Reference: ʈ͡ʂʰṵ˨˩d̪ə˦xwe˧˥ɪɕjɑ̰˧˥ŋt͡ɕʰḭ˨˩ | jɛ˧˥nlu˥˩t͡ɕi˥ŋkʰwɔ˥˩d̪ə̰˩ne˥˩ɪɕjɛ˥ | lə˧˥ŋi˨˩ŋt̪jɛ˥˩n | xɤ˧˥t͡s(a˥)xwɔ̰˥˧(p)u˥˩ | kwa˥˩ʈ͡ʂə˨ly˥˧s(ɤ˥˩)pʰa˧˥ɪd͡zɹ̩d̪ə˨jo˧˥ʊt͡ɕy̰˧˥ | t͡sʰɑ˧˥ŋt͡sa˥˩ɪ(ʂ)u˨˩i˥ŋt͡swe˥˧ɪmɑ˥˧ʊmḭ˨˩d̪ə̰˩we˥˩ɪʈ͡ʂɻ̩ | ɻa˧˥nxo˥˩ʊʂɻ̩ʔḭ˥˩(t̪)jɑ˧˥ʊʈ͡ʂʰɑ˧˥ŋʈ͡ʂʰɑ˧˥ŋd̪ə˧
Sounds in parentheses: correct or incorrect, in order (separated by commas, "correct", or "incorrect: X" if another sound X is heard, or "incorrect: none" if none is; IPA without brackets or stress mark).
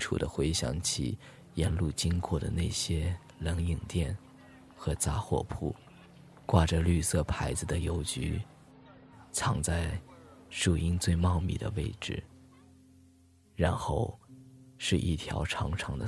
correct, incorrect: pʰ, correct, correct, incorrect: t̪ʰ